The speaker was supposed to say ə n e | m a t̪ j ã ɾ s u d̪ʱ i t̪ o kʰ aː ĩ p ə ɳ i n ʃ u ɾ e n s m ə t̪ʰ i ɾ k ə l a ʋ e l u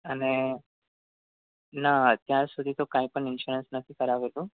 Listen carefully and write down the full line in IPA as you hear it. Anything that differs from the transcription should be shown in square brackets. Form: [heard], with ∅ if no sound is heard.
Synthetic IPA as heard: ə n e | [n] a t̪ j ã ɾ s u d̪ʱ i t̪ o [k] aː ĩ p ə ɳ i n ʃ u ɾ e n s [n] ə t̪ʰ i [∅] k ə [ɾ] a ʋ e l u